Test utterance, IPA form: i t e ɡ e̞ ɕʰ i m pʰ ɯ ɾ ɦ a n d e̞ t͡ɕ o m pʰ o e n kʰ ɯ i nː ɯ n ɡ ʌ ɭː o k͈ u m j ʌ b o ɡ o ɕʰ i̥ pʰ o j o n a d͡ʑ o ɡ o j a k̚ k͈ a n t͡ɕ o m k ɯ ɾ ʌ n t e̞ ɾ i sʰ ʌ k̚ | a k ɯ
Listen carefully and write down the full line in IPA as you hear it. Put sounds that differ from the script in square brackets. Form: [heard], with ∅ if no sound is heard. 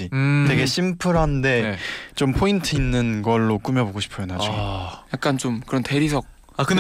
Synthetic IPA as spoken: i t e ɡ e̞ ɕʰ i m pʰ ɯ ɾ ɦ a n d e̞ t͡ɕ o m pʰ o [i] n [tʰ] ɯ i nː ɯ n ɡ ʌ ɭː o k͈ u m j ʌ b o ɡ o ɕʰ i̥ pʰ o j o n a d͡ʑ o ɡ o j a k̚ k͈ a n t͡ɕ o m k ɯ ɾ ʌ n t e̞ ɾ i sʰ ʌ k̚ | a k ɯ